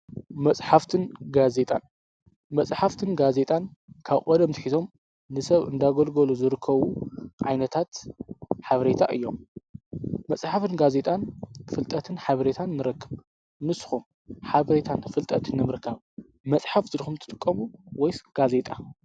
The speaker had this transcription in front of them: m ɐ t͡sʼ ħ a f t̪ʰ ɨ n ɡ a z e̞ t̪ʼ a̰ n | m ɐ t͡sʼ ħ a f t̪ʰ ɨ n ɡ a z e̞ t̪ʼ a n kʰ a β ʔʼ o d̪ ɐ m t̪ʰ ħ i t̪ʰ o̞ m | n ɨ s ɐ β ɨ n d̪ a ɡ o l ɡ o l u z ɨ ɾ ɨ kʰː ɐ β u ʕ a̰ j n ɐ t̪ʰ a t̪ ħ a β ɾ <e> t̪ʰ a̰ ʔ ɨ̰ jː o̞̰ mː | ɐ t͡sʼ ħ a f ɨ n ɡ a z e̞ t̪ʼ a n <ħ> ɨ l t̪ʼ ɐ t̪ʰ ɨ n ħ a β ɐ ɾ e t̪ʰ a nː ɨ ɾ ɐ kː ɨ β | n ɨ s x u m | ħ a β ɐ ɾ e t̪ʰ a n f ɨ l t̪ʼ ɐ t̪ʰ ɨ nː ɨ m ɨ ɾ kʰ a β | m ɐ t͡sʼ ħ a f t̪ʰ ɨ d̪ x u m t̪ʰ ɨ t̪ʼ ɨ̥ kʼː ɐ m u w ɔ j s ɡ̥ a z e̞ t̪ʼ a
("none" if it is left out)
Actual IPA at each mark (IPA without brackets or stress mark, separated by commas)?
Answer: e, f